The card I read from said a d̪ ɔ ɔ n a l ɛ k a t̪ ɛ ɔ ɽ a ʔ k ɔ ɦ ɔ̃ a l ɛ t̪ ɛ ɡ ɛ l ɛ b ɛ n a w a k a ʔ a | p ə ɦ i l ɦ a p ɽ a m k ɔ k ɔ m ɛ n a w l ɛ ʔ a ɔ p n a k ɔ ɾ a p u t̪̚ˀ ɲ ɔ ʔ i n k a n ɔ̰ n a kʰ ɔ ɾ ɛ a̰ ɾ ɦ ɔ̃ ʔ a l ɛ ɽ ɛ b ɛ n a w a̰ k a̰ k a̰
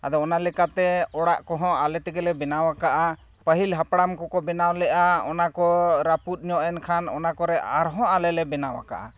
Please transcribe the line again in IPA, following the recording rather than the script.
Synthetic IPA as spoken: a d̪ ɔ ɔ n a l ɛ k a t̪ ɛ ɔ ɽ a ʔ k ɔ ɦ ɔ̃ a l ɛ t̪ ɛ ɡ ɛ l ɛ b ɛ n a w a k a ʔ a | p ə ɦ i l ɦ a p ɽ a m k ɔ k ɔ b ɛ n a w l ɛ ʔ a ɔ n a k ɔ ɾ a p u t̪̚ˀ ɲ ɔ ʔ ɛ n kʰ a n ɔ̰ n a k ɔ ɾ ɛ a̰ ɾ ɦ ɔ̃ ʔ a l ɛ l ɛ b ɛ n a w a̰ k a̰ ʔ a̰